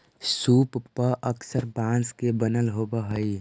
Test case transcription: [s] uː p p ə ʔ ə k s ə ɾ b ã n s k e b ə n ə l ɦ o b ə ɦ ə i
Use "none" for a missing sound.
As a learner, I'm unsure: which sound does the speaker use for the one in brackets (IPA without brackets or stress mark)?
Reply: s